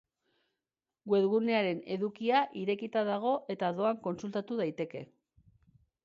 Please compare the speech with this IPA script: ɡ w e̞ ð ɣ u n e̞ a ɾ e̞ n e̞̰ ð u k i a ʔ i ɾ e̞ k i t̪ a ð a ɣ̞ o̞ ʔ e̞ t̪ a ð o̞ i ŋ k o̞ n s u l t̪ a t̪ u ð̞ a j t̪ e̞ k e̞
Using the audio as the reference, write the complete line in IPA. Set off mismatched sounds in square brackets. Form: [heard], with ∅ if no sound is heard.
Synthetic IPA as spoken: ɡ w e̞ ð ɣ u n e̞ a ɾ e̞ n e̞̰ ð u k i a ʔ i ɾ e̞ k i t̪ a ð a ɣ̞ o̞ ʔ e̞ t̪ a ð o̞ [a] ŋ k o̞ n s u l t̪ a t̪ u ð̞ a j t̪ e̞ k e̞